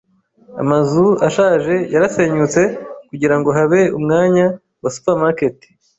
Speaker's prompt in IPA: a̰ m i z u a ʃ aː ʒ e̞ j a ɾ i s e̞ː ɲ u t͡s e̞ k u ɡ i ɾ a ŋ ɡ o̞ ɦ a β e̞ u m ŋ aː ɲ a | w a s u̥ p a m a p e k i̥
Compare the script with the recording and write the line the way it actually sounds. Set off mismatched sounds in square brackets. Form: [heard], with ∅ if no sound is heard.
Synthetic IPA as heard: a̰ m [a] z u a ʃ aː ʒ e̞ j a ɾ [a] s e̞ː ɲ u t͡s e̞ k u [ɟ] i ɾ a ŋ ɡ o̞ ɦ a β e̞ u m ŋ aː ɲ a | w a s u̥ p a m a [k] e [t] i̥